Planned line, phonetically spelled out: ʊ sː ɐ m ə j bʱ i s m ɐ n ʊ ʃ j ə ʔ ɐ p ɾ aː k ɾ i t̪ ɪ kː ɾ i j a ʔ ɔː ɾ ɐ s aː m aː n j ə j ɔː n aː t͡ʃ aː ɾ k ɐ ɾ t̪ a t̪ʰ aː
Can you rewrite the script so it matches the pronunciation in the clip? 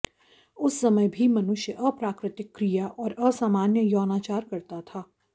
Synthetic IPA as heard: ʊ sː ɐ m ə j bʱ i m ɐ n ʊ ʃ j ə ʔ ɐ p ɾ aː k ɾ ɪ t̪ ɪ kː ɾ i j a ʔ ɔː ɾ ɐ s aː m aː n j ə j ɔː n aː t͡ʃ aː ɾ k ɐ ɾ t̪ a t̪ʰ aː